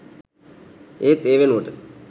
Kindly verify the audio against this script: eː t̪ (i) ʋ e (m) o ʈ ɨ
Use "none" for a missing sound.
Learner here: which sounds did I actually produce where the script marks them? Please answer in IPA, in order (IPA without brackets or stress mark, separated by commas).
e, n